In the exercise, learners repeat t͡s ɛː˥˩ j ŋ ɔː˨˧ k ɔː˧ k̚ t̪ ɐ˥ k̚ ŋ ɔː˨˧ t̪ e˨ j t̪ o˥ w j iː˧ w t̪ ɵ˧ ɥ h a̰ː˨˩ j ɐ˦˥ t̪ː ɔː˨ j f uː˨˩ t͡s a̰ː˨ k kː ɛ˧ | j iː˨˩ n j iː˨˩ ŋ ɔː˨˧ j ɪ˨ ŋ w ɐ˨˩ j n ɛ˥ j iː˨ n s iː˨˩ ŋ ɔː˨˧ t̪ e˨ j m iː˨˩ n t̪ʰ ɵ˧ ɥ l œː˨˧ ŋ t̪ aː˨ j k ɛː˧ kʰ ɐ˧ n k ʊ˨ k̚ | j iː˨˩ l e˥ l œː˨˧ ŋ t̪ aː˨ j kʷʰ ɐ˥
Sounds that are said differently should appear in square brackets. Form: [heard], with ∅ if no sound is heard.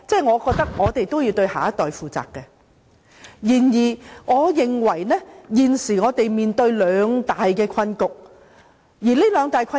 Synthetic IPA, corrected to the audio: t͡s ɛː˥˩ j ŋ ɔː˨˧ k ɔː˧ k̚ t̪ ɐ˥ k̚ ŋ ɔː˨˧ t̪ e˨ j t̪ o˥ w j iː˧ w t̪ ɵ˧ ɥ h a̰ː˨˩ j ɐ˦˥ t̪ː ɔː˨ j f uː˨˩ t͡s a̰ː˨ k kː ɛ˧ | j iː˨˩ n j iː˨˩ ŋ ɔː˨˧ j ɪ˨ ŋ w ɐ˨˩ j n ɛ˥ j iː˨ n s iː˨˩ ŋ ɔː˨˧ t̪ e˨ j m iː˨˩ n [t̪] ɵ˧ ɥ l œː˨˧ ŋ t̪ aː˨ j k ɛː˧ kʰ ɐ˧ n k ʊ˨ k̚ | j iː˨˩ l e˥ l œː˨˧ ŋ t̪ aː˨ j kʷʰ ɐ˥